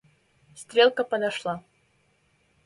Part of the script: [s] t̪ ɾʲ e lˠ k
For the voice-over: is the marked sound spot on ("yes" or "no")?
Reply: yes